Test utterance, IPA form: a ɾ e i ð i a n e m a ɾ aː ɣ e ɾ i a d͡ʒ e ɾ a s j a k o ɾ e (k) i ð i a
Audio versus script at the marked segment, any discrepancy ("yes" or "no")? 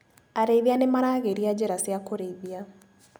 yes